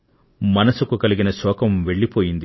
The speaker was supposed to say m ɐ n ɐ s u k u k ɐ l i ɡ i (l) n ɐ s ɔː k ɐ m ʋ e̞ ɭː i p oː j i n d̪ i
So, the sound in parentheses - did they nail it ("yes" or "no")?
no